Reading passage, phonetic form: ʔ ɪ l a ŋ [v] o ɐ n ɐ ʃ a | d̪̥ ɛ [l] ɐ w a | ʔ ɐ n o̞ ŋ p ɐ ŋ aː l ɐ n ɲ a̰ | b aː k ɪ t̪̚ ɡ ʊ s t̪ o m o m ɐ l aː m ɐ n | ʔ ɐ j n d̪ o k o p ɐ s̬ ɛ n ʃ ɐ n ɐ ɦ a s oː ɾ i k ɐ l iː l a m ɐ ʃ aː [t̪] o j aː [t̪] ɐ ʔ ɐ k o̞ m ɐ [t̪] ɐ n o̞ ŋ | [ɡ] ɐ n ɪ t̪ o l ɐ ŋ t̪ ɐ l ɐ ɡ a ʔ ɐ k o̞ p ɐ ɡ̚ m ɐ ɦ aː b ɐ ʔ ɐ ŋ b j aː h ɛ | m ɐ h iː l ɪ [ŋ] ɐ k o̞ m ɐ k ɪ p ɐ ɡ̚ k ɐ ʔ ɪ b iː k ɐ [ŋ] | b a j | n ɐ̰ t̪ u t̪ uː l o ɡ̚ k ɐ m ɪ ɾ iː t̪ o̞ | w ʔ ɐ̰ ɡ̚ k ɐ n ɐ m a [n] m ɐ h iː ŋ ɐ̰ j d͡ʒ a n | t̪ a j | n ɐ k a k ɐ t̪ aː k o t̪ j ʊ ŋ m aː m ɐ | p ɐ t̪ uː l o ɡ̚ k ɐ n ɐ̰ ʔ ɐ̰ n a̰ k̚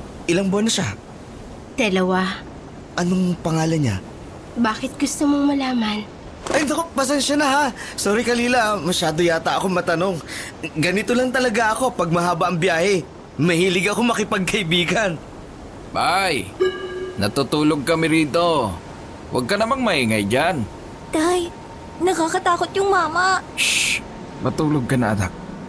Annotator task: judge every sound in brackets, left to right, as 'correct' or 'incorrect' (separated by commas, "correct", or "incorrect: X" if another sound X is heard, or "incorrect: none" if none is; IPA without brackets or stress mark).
incorrect: b, correct, incorrect: d̪, correct, correct, correct, incorrect: ɡ, incorrect: n, incorrect: ŋ